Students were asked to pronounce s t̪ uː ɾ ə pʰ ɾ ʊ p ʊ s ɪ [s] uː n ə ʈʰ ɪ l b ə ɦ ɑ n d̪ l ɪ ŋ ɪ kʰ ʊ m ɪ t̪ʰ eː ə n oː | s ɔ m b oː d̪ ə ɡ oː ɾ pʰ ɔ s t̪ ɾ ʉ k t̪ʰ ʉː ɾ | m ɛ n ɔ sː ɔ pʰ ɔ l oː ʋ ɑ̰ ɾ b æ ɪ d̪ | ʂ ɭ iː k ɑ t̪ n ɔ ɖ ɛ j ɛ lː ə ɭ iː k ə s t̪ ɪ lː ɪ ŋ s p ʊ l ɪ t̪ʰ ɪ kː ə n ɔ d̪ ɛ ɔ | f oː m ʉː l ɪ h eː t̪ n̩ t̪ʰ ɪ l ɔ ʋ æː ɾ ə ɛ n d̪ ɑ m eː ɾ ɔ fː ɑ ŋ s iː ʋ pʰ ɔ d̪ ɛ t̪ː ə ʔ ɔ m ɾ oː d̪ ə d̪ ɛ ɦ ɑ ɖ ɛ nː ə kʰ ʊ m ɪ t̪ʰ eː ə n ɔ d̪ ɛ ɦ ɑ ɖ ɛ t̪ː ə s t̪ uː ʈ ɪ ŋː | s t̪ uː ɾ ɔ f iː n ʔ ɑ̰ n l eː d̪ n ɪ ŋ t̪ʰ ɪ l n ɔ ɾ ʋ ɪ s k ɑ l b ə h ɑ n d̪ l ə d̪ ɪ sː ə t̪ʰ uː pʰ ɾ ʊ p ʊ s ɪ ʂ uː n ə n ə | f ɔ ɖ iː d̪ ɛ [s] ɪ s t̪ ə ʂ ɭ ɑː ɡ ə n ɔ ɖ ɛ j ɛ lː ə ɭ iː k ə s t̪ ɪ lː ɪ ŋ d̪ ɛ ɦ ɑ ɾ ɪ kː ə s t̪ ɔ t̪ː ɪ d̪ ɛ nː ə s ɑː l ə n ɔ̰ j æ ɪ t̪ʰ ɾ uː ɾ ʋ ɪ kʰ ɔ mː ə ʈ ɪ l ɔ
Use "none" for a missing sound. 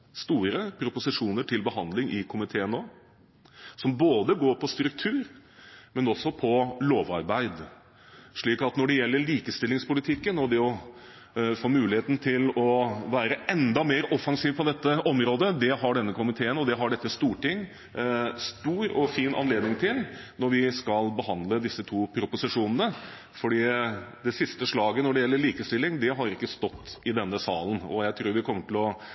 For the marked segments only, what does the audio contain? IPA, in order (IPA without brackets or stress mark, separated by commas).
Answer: ʂ, s